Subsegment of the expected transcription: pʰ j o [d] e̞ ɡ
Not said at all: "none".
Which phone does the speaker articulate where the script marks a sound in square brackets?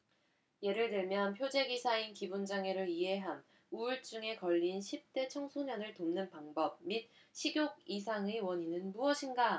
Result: d͡ʑ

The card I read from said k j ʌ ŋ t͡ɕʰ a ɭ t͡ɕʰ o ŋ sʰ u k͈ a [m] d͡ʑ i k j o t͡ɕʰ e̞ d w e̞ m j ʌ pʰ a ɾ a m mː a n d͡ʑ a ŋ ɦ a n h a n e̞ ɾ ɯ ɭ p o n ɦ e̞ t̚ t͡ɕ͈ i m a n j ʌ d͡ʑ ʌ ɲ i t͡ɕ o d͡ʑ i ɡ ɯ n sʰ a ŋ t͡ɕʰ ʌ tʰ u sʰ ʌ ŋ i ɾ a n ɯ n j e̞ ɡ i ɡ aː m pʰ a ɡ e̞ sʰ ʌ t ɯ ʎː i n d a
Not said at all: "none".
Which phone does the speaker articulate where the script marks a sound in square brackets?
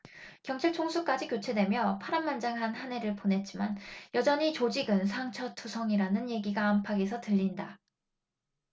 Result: none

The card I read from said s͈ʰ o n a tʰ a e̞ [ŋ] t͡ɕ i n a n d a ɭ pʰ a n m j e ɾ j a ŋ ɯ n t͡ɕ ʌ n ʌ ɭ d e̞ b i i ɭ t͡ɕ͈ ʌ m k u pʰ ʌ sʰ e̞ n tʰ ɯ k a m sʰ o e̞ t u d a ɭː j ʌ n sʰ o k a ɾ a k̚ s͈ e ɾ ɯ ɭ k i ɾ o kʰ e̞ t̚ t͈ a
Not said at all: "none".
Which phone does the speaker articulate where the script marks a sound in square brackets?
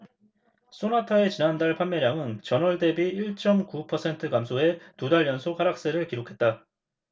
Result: none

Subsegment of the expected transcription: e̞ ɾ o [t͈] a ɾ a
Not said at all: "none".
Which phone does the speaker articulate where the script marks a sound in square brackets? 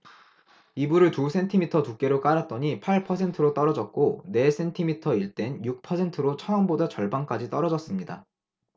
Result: k͈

